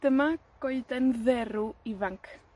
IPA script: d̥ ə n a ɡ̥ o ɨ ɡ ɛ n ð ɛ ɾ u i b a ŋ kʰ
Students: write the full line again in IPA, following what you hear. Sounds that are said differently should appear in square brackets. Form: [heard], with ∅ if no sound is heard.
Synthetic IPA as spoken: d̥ ə [m] a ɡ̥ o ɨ [d] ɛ n ð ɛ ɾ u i [v] a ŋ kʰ